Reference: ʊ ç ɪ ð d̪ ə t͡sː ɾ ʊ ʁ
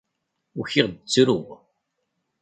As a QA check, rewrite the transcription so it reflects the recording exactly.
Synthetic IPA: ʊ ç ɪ ʁ d̪ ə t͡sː ɾ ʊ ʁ